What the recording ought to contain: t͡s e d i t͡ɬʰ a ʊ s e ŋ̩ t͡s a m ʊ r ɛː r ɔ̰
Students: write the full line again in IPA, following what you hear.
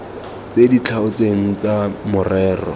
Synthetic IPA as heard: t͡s e d i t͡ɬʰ a ʊ t͡s e ŋ̩ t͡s a m ʊ r ɛː r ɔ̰

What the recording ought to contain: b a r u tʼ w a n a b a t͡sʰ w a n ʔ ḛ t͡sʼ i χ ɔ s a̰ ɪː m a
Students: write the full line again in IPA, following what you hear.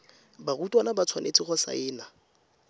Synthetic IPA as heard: b a r u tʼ w a n a b a t͡sʰ w a n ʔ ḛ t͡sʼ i χ ɔ s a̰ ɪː n a

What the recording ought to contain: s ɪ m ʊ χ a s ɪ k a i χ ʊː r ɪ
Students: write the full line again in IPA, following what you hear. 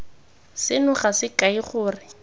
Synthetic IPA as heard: s ɪ n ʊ χ a s ɪ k a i χ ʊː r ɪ

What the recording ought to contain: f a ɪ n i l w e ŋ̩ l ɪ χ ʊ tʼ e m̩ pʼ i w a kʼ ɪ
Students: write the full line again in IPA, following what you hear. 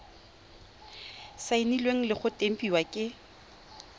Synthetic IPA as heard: s a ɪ n i l w e ŋ̩ l ɪ χ ʊ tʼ e m̩ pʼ i w a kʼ ɪ

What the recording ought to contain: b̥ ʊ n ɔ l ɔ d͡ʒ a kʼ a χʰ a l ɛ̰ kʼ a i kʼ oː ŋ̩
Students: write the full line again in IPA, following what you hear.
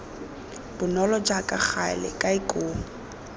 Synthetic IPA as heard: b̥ ʊ n ɔ l ɔ d͡ʒ a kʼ a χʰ a l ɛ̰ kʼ a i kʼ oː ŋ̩

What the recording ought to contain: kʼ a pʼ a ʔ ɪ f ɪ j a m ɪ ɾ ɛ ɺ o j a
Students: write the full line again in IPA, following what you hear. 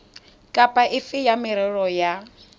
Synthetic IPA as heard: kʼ a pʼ a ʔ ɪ f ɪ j a m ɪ ɾ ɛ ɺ ɔ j a

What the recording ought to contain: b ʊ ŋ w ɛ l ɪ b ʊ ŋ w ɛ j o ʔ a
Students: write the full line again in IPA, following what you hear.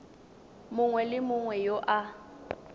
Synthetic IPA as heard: m ʊ ŋ w ɛ l ɪ m ʊ ŋ w ɛ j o ʔ a

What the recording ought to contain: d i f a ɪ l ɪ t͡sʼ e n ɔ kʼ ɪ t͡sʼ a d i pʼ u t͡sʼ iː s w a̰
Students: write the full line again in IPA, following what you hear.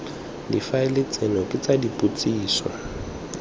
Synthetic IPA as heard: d i f a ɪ l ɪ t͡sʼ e n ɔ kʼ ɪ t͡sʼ a d i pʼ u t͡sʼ iː s w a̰

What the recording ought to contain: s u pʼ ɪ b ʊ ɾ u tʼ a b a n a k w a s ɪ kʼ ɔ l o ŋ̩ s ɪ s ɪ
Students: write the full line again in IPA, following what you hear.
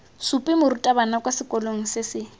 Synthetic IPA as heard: s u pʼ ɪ m ʊ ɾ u tʼ a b a n a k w a s ɪ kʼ ɔ l o ŋ̩ s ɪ s ɪ

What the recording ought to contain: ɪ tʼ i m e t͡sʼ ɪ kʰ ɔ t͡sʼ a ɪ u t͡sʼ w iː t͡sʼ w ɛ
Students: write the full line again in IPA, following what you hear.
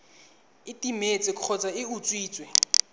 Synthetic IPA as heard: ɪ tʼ i m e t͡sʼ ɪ kʰ ɔ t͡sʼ a ɪ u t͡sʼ w iː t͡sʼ w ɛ

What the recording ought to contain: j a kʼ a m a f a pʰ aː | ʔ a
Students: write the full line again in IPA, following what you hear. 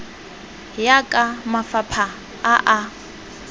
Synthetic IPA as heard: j a kʼ a m a f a pʰ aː | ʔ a

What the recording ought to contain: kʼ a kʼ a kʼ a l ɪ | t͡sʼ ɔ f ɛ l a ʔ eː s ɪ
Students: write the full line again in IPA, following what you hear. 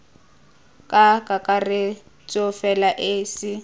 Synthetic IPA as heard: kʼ a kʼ a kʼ a r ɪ | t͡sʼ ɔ f ɛ l a ʔ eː s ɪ

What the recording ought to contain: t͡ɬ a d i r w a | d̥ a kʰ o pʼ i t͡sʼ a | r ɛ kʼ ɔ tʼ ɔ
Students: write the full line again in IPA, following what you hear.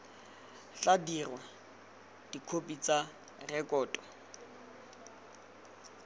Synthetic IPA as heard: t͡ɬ a d i r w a | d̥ i kʰ o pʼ i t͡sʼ a | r ɛ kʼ ɔː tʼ ɔ

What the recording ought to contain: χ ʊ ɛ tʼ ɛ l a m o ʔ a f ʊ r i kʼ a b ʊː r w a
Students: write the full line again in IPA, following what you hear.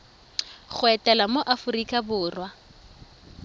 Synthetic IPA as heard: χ ʊ ɛ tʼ ɛ l a m o ʔ a f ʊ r i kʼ a b ʊː r w a

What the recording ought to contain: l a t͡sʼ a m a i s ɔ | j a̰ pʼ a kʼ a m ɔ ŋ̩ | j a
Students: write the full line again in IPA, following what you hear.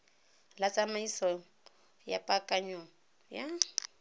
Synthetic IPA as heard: l a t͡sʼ a m a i s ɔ | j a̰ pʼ a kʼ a ɲ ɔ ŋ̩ | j a

